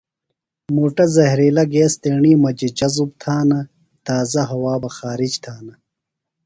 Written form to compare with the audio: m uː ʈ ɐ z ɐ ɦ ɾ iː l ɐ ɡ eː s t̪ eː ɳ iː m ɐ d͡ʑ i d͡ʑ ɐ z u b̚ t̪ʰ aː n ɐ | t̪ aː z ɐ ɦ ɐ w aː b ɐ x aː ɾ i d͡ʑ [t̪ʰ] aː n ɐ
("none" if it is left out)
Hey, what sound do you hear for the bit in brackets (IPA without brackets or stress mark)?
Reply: t̪ʰ